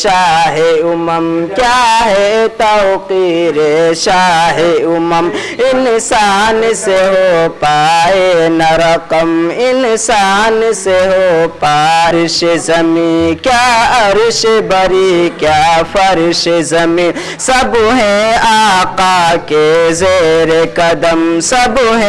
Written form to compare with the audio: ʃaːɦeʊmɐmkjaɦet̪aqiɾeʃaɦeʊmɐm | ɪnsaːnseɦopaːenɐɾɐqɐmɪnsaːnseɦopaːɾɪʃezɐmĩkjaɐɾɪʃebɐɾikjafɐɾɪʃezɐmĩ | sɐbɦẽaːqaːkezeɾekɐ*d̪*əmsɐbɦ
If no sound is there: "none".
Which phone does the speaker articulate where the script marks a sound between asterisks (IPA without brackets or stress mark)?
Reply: d̪